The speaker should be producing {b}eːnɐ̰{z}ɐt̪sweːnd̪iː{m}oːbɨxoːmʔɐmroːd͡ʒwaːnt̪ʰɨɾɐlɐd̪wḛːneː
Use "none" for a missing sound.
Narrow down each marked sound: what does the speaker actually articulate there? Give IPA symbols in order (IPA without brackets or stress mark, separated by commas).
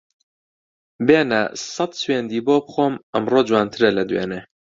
b, s, b